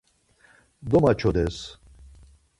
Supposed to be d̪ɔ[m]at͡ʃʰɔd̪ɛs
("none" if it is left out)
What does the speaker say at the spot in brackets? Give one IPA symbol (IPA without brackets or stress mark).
m